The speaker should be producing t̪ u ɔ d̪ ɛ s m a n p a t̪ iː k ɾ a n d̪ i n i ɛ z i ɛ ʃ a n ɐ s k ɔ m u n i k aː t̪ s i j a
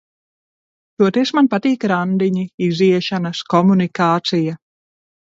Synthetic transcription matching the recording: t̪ u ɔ t̪ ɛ s m a n p a t̪ iː k ɾ a n d̪ i ɲ i i z i ɛ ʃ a n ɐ s k ɔ m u n i k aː t̪ s i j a